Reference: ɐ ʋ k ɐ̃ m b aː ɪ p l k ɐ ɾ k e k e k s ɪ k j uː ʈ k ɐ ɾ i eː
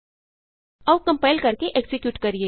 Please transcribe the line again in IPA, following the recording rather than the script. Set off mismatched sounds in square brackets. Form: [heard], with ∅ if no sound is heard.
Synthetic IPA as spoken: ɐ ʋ k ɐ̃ m [p] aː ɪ [∅] l k ɐ ɾ k e [ʔ] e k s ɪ k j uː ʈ k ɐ ɾ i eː